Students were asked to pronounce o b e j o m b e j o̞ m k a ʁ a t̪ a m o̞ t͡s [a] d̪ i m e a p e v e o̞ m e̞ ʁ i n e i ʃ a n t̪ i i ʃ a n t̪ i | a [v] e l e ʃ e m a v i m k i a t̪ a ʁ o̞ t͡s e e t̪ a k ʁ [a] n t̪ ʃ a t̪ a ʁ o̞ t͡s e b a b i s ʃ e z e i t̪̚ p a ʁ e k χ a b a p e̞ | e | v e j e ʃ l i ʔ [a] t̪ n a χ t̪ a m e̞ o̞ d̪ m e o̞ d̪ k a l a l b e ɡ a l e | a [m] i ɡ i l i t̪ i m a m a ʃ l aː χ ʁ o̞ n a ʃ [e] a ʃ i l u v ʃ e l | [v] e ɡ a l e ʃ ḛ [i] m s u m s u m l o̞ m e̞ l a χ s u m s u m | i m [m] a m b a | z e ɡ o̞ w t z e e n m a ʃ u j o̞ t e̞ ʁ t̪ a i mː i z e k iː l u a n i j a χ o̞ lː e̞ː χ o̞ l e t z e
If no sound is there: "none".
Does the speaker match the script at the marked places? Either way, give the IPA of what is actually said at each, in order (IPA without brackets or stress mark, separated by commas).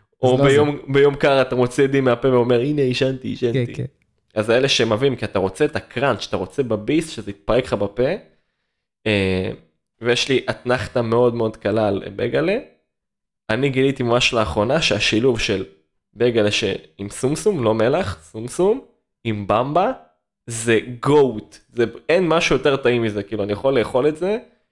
i, z, a, a, n, e, b, i, b